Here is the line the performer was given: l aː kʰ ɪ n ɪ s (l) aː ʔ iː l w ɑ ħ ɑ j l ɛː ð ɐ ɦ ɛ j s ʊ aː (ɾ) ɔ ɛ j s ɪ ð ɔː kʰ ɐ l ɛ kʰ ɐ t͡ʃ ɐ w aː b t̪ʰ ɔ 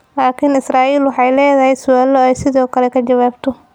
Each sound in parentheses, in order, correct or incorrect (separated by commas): incorrect, incorrect